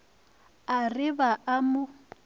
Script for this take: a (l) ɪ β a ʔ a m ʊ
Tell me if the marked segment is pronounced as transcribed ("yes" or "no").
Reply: no